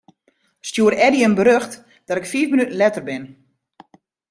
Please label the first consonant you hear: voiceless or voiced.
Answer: voiceless